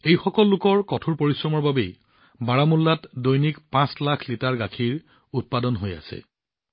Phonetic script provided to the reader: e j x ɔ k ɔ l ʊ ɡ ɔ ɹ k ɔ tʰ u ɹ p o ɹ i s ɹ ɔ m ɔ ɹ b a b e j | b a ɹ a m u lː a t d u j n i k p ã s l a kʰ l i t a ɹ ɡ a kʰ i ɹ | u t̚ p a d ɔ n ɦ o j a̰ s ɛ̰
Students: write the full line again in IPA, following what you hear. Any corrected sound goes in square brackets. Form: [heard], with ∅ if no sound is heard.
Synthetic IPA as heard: e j x ɔ k ɔ [lː] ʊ [k] ɔ ɹ k ɔ tʰ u ɹ p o ɹ i s ɹ ɔ m ɔ ɹ b a b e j | b a ɹ a m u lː a t d [o] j n i k p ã s l a kʰ l i t a ɹ ɡ a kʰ i ɹ | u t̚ p a d ɔ n ɦ o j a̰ s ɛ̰